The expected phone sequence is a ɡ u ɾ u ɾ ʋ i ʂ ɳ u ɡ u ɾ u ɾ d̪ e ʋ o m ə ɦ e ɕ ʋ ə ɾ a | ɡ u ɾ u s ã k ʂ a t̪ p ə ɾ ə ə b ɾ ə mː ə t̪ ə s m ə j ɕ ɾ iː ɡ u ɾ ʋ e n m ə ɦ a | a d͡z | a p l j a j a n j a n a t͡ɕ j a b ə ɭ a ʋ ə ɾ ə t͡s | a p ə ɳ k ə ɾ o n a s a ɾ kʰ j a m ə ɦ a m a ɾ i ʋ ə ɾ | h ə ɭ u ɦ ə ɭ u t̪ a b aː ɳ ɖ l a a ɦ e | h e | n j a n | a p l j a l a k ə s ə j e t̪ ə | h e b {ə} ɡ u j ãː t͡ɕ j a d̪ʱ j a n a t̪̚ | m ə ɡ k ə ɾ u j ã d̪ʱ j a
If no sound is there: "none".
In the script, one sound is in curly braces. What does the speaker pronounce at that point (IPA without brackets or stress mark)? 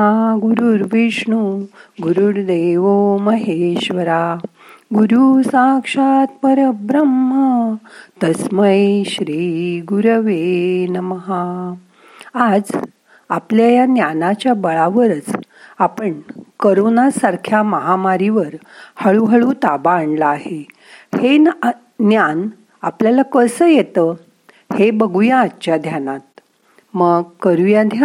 ə